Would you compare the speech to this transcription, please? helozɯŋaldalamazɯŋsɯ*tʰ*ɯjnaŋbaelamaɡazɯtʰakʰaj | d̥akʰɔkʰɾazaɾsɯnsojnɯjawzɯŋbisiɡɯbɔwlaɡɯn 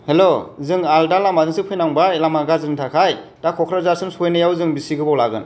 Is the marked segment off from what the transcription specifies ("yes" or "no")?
yes